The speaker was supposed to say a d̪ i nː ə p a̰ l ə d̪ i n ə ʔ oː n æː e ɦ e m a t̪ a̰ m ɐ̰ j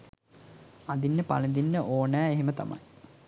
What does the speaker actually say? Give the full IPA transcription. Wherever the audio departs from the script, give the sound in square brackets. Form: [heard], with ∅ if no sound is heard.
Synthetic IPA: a d̪ i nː ə p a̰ l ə d̪ i [nː] ə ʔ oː n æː e ɦ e m [ə] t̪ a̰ m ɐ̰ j